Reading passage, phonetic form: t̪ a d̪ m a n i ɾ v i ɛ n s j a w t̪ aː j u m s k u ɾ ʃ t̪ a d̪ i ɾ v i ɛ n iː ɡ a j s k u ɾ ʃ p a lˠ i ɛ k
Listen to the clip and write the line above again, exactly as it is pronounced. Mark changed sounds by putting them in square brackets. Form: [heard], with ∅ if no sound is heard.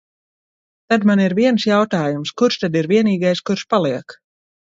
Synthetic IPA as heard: t̪ a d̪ m a n i ɾ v i ɛ n s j a w t̪ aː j u m s k u ɾ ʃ t̪ a d̪ i ɾ v i ɛ n iː ɡ a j s k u ɾ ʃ p a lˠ i ɛ k